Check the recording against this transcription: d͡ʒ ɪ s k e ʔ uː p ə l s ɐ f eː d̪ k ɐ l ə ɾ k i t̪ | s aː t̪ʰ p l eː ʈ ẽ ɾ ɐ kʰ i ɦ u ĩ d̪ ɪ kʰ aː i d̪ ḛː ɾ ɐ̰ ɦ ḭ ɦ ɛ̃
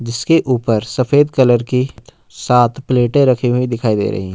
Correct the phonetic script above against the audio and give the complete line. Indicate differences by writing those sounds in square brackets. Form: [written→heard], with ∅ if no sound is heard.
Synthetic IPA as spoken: d͡ʒ ɪ s k e ʔ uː p ə [l→ɾ] s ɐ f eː d̪ k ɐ l ə ɾ k i t̪ | s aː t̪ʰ p l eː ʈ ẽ ɾ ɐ kʰ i ɦ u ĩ d̪ ɪ kʰ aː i d̪ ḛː ɾ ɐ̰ ɦ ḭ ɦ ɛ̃